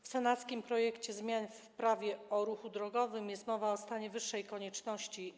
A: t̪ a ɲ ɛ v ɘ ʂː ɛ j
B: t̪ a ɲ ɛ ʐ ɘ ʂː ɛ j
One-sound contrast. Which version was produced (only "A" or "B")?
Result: A